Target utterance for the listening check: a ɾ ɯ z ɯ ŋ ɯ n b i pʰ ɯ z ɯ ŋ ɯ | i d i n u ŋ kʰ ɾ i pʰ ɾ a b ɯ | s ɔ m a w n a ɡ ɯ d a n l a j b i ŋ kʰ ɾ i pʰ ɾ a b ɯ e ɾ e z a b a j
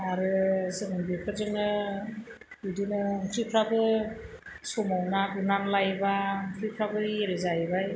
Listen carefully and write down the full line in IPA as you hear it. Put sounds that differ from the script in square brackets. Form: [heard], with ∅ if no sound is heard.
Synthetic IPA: a ɾ ɯ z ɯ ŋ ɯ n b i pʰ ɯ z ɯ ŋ ɯ | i d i n [ɯ] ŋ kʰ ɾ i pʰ ɾ a b ɯ | s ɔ m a w n a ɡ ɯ [n] a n l a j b [a] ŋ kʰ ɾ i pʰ ɾ a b ɯ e ɾ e z a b a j